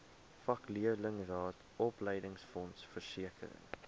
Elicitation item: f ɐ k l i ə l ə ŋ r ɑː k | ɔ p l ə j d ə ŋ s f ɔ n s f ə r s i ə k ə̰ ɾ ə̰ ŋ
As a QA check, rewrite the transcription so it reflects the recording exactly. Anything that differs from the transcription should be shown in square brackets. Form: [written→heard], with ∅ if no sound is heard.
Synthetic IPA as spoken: f ɐ k l i ə l ə ŋ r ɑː [k→t] | ɔ p l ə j d ə ŋ s f ɔ n s f ə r s i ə k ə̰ ɾ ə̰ ŋ